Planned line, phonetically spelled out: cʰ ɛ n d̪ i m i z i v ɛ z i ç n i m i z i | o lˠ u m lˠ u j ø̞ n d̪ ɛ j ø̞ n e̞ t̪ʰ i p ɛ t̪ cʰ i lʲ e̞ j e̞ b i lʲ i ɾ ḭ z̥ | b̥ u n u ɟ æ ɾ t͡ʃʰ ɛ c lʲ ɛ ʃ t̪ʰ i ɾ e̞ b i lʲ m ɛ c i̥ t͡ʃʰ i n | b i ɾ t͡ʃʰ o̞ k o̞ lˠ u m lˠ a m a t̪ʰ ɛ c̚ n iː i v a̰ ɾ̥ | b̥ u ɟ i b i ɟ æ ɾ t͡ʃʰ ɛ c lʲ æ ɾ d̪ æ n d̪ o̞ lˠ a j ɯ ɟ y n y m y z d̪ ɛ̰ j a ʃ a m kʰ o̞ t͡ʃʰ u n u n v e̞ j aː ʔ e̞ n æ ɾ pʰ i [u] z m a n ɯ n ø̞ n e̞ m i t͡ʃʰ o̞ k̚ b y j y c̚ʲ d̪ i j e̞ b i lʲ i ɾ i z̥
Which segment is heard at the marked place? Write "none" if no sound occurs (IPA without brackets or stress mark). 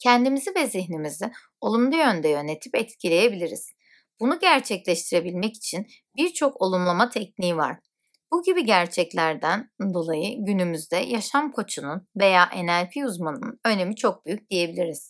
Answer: u